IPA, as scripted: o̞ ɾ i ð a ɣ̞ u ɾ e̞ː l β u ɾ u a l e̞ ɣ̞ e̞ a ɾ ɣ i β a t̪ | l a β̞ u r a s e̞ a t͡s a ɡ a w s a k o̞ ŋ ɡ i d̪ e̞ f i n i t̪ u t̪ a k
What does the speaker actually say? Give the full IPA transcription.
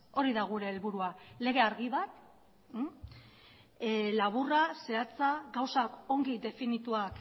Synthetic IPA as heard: o̞ ɾ i ð a ɣ̞ u ɾ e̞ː l β u ɾ u a l e̞ ɣ̞ e̞ a ɾ ɣ i β a t̪ | l a β̞ u r a s e̞ a t͡s a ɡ a w s a k o̞ ŋ ɡ i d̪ e̞ f i n i t̪ u a k